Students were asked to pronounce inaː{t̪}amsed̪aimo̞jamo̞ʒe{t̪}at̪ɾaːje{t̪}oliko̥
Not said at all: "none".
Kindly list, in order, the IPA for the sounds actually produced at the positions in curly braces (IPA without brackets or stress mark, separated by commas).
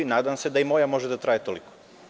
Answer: d̪, d̪, t̪